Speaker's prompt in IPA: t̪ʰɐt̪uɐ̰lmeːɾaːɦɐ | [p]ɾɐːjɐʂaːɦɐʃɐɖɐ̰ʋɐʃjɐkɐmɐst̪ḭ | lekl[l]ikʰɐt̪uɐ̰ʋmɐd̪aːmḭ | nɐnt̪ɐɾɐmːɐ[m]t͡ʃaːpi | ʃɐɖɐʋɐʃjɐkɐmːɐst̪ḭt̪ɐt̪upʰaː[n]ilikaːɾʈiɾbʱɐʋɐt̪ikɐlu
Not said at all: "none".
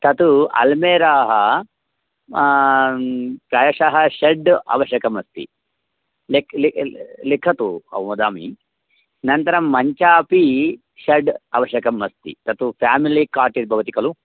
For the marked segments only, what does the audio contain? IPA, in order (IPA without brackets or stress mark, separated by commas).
p, l, ɲ, m